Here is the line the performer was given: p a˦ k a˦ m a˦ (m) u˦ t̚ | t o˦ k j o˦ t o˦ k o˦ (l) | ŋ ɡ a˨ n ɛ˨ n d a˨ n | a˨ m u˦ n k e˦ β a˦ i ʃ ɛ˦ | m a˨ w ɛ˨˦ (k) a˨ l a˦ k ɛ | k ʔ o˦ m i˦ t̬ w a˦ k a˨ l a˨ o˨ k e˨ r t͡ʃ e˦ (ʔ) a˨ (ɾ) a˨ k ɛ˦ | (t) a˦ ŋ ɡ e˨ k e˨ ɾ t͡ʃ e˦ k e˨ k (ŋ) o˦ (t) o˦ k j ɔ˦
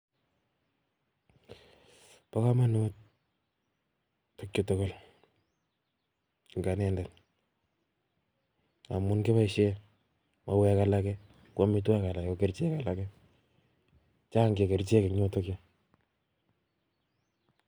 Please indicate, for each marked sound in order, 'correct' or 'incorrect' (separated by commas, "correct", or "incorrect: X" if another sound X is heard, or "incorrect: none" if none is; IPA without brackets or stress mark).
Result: incorrect: n, correct, correct, incorrect: k, incorrect: l, incorrect: t͡ʃ, incorrect: ɲ, correct